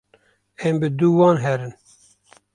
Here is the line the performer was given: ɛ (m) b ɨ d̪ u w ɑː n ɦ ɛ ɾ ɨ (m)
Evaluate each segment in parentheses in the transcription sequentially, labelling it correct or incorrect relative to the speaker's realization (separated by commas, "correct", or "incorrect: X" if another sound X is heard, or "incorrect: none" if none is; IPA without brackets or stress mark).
correct, incorrect: n